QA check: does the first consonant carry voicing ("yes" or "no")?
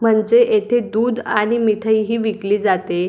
yes